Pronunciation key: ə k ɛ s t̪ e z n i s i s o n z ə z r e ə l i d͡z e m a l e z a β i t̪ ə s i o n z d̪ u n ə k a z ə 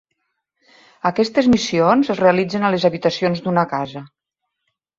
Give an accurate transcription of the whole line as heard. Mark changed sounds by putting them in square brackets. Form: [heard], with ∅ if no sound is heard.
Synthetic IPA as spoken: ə k ɛ s t̪ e z [m] i s i [∅] o n z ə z r e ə l i d͡z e [n] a l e z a β i t̪ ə s i o n z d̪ u n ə k a z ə